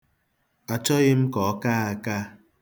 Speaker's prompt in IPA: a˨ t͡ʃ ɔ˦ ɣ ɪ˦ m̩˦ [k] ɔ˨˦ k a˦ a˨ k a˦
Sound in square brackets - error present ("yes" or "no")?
no